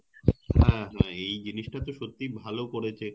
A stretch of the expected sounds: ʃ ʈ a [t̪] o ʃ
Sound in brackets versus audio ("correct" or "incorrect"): correct